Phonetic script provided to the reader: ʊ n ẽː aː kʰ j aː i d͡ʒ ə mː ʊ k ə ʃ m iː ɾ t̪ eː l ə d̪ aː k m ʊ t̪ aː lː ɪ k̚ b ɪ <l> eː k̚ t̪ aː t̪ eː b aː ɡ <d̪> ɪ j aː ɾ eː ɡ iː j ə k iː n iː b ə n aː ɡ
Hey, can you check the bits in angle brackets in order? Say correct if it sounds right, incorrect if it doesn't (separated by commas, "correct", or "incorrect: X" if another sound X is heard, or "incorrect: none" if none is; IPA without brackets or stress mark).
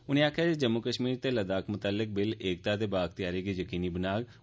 correct, incorrect: t̪